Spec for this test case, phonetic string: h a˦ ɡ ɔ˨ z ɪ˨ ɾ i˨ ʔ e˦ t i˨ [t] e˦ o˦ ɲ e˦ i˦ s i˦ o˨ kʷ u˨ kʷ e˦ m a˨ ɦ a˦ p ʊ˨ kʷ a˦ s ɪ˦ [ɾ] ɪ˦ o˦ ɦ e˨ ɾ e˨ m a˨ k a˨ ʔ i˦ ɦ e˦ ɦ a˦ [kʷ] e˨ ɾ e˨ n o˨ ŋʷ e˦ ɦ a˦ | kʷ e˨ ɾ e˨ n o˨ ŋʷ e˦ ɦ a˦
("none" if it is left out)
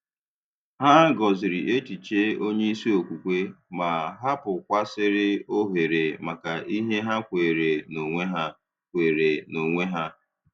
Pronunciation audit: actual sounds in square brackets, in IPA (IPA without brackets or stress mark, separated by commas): t͡ʃ, ɾ, kʷ